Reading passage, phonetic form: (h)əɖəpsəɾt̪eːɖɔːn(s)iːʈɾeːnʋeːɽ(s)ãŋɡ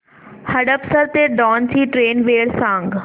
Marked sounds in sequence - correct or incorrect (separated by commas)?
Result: correct, correct, correct